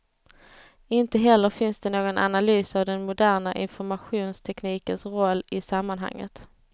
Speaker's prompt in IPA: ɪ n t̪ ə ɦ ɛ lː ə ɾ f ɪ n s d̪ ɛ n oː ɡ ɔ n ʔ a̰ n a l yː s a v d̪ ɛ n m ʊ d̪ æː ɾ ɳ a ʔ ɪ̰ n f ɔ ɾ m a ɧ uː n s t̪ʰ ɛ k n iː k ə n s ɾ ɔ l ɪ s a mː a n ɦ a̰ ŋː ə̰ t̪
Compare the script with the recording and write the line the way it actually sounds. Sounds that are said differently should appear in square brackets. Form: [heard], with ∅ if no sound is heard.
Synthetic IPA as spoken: ɪ n t̪ ə ɦ ɛ lː ə ɾ f ɪ n s d̪ ɛ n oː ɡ ɔ n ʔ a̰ n a l yː s a v d̪ ɛ n m ʊ d̪ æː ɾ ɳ a ʔ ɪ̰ n f ɔ ɾ m a ɧ uː n s t̪ʰ ɛ k n iː k ə n s ɾ ɔ [lː] ɪ s a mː a n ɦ a̰ ŋː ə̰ t̪